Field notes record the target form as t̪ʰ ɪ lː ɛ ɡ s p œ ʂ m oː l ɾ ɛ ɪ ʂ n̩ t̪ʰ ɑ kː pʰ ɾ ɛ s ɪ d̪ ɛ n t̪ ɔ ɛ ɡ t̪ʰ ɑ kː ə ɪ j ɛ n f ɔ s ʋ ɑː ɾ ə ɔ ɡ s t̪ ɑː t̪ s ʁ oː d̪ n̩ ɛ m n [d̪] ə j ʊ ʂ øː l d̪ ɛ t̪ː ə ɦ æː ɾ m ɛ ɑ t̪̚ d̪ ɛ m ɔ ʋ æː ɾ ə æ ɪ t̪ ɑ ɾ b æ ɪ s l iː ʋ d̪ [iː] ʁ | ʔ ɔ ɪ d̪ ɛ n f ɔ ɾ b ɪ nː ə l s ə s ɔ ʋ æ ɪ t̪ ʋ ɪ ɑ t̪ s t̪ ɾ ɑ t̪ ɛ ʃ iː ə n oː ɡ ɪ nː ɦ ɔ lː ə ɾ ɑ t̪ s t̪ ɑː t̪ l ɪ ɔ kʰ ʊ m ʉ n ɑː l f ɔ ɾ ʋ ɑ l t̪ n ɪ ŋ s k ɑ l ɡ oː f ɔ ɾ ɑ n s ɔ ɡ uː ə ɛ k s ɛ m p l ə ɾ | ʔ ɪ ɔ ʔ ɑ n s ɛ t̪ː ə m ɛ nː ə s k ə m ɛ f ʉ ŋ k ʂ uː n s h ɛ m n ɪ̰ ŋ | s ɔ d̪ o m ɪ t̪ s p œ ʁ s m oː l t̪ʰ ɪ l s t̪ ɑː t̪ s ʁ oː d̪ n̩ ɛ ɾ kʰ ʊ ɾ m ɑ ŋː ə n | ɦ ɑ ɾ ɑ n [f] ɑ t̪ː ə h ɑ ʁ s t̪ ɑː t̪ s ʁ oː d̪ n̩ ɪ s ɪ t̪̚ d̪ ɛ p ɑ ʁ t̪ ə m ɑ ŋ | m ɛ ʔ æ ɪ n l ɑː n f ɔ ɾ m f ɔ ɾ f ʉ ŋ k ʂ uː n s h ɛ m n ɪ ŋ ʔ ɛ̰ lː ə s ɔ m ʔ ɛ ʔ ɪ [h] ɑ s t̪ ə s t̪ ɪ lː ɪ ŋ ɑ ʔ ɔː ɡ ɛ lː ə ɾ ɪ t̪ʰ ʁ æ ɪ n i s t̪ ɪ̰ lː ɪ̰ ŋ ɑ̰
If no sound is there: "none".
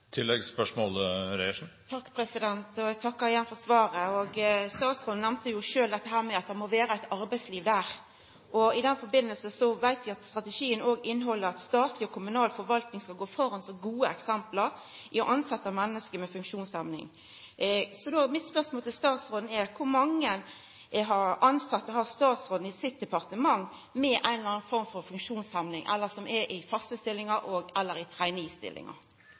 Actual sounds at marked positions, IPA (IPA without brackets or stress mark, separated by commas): t̪, æː, s, f